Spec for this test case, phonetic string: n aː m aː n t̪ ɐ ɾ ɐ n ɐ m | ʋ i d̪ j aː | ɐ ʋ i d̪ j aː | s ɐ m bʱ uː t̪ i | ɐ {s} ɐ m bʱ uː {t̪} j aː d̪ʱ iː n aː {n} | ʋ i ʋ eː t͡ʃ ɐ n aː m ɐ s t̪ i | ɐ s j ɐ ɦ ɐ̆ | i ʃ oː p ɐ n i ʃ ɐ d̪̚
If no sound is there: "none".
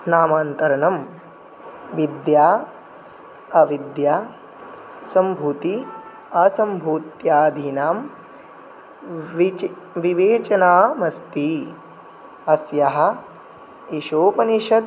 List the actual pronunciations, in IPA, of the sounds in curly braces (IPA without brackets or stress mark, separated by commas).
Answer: s, t̪, m